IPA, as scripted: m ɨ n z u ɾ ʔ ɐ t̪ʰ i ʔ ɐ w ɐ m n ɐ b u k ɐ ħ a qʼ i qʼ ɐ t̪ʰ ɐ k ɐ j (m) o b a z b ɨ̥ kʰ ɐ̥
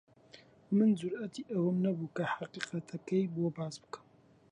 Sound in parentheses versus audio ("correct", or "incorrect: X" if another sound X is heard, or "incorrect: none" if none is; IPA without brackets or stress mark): incorrect: b